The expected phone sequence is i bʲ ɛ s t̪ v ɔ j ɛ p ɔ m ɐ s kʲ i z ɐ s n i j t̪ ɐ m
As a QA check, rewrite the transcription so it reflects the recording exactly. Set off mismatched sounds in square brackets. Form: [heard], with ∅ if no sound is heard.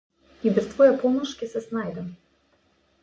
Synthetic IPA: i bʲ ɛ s t̪ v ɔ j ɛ p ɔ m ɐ [ʂ] kʲ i [s] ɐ s n [a] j [d̪] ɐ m